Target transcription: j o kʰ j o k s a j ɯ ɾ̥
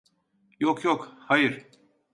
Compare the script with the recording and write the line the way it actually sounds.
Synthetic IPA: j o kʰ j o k h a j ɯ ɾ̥

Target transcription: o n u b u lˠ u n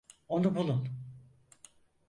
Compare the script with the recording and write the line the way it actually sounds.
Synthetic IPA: o n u b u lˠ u n

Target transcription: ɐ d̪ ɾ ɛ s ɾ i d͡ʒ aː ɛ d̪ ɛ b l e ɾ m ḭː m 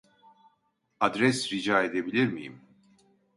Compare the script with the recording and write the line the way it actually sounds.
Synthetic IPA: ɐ d̪ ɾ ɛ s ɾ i d͡ʒ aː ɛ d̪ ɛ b l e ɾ m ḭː m

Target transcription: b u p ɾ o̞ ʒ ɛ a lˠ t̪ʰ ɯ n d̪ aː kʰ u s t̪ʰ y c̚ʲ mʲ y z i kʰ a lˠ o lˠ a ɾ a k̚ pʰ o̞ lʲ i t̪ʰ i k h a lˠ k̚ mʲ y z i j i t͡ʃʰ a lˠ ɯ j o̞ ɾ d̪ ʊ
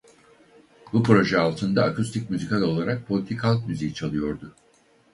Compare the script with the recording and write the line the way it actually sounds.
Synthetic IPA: b u p ɾ o̞ ʒ ɛ a lˠ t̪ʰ ɯ n d̪ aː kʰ u s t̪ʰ i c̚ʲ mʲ y z i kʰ a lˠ o lˠ a ɾ a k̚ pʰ o̞ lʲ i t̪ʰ i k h a lˠ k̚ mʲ y z i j i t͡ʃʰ a lˠ ɯ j o̞ ɾ d̪ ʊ

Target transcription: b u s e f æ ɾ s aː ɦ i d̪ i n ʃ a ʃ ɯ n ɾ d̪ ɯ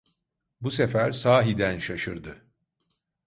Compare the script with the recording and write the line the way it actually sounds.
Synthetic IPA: b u s e f æ ɾ s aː ɦ i d̪ æ n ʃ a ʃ ɯ ɾ d̪ ɯ

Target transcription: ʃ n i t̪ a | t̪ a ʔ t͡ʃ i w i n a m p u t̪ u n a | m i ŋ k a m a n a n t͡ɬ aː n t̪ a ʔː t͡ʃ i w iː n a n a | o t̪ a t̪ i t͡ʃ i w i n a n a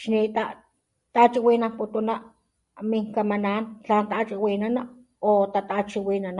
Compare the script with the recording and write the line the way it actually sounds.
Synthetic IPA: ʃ n i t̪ a | t̪ a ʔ t͡ʃ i w i n a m p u t̪ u n a | m i ŋ k a m a n a n t͡ɬ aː n t̪ a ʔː t͡ʃ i w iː n a n a | o t̪ a t̪ a t͡ʃ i w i n a n a

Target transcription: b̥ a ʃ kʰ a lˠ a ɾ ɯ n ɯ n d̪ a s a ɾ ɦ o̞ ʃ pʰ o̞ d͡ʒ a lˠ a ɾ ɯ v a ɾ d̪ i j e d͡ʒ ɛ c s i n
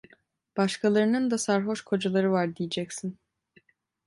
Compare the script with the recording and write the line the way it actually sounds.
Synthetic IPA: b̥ a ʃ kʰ a lˠ a ɾ ɯ n ɯ n d̪ a s a ɾ ɦ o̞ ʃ kʰ o̞ d͡ʒ a lˠ a ɾ ɯ v a ɾ d̪ i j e d͡ʒ ɛ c s i n

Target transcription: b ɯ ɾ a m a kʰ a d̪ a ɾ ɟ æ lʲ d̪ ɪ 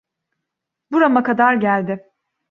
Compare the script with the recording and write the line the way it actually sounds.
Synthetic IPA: b u ɾ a m a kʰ a d̪ a ɾ ɟ æ lʲ d̪ ɪ

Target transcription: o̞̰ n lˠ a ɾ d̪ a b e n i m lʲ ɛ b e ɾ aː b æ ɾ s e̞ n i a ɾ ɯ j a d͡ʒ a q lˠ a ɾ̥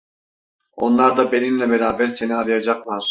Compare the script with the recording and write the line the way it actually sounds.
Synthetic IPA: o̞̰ n lˠ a ɾ d̪ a b e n i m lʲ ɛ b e ɾ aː b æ ɾ s e̞ n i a ɾ ɯ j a d͡ʒ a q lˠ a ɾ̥

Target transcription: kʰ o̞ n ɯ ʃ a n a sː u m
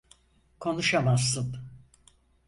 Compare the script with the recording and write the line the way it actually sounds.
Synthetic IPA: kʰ o̞ n u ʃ a m a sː ɯ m

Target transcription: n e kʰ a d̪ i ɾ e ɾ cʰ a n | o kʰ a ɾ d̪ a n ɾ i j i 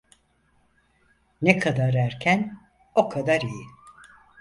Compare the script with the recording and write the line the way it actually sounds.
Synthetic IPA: n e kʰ a d̪ a ɾ æ ɾ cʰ æ n | o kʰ a d̪ a ɾ i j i

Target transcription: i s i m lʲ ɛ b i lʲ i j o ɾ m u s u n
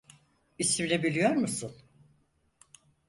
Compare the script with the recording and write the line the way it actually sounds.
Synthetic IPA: i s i m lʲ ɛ b i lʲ i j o ɾ m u s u n

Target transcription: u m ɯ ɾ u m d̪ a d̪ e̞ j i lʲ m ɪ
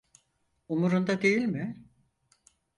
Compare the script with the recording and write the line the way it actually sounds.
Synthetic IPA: u m u ɾ u n d̪ a d̪ e̞ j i lʲ m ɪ

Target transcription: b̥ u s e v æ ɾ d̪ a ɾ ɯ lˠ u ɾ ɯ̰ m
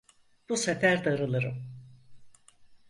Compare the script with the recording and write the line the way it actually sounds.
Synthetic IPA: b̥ u s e f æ ɾ d̪ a ɾ ɯ lˠ ɯ ɾ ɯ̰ m

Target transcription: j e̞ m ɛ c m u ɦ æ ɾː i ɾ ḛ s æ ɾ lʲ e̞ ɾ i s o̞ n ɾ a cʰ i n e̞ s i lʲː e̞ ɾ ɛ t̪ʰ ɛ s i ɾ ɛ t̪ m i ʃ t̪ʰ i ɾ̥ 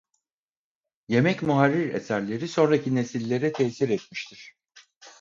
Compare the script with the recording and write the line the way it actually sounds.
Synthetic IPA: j e̞ m ɛ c m u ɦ a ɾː i ɾ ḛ s æ ɾ lʲ e̞ ɾ i s o̞ n ɾ a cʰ i n e̞ s i lʲː e̞ ɾ ɛ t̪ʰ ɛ s i ɾ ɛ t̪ m i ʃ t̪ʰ i ɾ̥

